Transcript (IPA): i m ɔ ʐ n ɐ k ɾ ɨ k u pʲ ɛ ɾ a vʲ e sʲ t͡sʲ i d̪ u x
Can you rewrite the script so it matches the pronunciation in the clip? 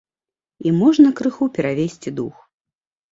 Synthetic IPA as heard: i m ɔ ʐ n ɐ k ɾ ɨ x u pʲ ɛ ɾ a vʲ e sʲ t͡sʲ i d̪ u x